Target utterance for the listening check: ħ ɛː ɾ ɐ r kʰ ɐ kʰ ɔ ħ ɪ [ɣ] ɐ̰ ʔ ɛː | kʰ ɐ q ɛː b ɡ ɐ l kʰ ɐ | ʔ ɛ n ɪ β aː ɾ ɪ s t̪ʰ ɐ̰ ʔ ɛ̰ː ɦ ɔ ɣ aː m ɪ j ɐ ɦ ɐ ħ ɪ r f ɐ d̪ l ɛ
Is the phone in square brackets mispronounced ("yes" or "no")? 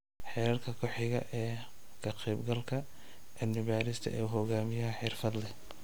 no